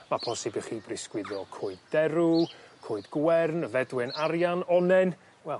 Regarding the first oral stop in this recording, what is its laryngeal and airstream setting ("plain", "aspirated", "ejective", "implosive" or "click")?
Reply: aspirated